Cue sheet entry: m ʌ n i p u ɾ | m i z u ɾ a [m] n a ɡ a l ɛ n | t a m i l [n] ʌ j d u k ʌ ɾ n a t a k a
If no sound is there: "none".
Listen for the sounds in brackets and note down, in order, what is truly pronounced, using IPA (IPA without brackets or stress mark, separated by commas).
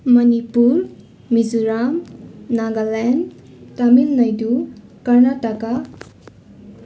m, n